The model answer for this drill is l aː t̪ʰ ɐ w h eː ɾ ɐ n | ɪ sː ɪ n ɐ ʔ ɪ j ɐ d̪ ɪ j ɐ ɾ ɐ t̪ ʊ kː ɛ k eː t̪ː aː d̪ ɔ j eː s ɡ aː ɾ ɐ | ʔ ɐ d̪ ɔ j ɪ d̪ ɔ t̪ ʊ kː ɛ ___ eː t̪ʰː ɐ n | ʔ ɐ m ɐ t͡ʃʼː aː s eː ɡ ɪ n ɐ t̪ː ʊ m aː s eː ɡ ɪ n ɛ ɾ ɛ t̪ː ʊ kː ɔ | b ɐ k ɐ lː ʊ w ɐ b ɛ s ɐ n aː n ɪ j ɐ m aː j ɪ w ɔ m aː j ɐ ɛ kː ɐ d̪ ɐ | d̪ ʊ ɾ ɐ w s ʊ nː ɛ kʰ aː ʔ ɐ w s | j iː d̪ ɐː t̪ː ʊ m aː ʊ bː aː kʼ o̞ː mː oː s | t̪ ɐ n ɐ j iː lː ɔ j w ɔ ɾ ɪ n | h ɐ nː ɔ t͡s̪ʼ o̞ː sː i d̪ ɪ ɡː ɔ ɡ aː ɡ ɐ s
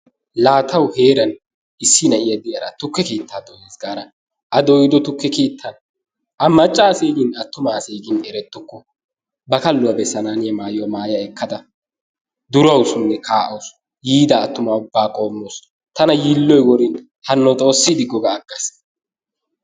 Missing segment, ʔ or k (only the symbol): k